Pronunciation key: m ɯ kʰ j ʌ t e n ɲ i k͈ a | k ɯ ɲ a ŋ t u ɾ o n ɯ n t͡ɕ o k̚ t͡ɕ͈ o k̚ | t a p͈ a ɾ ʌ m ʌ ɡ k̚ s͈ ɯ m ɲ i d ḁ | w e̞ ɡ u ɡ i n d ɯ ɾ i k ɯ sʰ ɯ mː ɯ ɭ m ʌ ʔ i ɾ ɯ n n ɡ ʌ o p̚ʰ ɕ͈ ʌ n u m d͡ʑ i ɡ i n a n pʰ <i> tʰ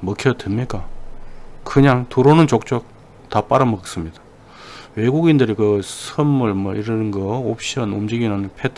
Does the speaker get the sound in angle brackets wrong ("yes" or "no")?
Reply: yes